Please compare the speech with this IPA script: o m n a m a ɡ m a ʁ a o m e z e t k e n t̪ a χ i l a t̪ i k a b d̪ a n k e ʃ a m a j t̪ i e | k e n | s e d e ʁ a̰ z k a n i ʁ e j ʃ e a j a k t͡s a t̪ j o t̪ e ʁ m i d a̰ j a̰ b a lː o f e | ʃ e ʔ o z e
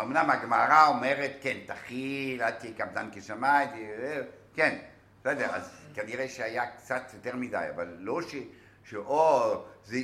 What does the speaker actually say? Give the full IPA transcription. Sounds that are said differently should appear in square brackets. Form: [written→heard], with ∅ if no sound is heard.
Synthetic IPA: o m n a m a ɡ m a ʁ a o m e [z→ʁ] e t k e n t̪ a χ i l a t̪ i k a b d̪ a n k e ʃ a m a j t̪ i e | k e n | s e d e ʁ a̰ z k a n i ʁ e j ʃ e a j a k t͡s a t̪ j o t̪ e ʁ m i d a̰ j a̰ [b→v] a lː o [f→ʃ] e | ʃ e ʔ o z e